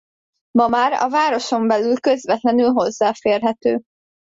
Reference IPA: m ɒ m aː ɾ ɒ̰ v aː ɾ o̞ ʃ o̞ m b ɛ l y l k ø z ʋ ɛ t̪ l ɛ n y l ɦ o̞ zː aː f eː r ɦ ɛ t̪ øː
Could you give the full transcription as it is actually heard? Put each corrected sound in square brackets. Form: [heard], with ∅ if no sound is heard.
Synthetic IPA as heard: m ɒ m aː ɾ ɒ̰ v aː ɾ o̞ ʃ o̞ m b ɛ l y l k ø z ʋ ɛ t̪ l ɛ n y l ɦ o̞ zː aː f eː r ɦ ɛ t̪ øː

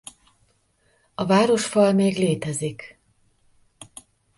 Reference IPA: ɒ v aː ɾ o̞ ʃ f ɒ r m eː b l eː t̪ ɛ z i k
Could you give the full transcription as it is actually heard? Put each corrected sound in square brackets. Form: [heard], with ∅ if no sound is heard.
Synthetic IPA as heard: ɒ v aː ɾ o̞ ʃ f ɒ [l] m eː [ɡ] l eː t̪ ɛ z i k

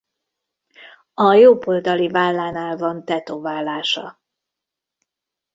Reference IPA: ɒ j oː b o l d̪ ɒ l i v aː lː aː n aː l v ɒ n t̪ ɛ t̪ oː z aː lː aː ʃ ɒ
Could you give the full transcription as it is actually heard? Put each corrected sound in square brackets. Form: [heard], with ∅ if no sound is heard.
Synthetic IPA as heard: ɒ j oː b o l d̪ ɒ l i v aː lː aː n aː l v ɒ n t̪ ɛ t̪ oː [v] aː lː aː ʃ ɒ

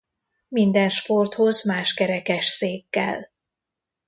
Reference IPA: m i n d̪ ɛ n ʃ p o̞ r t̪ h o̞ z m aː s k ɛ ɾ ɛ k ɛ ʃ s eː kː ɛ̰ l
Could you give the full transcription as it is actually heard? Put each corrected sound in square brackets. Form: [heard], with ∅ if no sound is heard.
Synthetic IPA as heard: m i n d̪ ɛ n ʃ p o̞ r t̪ h o̞ z m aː [ʃ] k ɛ ɾ ɛ k ɛ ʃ s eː kː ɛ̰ l

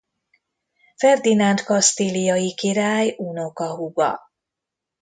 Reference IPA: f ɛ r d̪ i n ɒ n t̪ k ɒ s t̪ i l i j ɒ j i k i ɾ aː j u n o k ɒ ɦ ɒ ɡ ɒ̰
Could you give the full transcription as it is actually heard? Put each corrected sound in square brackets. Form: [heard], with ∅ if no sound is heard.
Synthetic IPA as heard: f ɛ r d̪ i n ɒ n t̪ k ɒ s t̪ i l i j ɒ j i k i ɾ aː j u n o k ɒ ɦ [u] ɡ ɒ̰

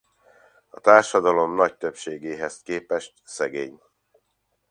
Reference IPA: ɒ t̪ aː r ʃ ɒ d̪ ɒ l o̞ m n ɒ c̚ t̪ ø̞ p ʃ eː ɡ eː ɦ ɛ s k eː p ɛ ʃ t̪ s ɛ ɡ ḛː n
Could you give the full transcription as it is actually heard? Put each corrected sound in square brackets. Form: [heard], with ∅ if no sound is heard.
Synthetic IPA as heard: ɒ t̪ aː r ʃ ɒ d̪ ɒ l o̞ m n ɒ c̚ t̪ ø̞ p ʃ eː ɡ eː ɦ ɛ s k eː p ɛ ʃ t̪ s ɛ ɡ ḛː [ɲ]

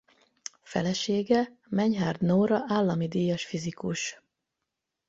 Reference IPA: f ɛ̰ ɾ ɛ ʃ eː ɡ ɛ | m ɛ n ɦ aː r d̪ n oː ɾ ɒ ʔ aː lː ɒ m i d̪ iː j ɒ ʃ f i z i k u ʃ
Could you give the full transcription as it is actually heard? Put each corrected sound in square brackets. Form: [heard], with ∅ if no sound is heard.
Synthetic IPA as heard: f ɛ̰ [l] ɛ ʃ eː ɡ ɛ | m ɛ [ɲ] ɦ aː r d̪ n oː ɾ ɒ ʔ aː lː ɒ m i d̪ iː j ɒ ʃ f i z i k u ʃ

